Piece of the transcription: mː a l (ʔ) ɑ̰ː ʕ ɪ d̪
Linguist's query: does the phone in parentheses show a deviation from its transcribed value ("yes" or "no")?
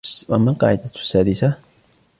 yes